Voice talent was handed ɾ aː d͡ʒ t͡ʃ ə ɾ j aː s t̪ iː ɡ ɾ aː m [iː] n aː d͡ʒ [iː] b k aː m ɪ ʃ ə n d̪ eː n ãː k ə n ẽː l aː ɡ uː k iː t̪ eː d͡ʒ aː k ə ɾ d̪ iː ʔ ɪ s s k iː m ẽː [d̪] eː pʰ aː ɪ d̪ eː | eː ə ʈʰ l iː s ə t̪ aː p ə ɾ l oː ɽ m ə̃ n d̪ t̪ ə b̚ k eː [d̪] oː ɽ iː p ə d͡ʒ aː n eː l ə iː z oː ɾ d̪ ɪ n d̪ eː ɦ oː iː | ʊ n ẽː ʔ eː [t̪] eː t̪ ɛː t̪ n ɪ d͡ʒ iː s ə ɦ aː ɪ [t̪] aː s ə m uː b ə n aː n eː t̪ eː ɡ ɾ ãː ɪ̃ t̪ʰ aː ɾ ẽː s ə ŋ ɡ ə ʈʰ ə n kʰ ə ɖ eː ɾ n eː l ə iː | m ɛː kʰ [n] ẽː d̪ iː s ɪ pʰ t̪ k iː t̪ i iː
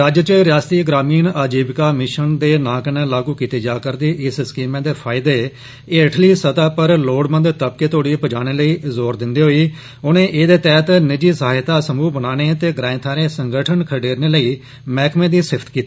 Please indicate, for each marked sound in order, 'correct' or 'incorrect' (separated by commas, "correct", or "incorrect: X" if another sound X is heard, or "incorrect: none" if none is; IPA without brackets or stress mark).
correct, correct, correct, incorrect: t̪, incorrect: d̪, correct, incorrect: m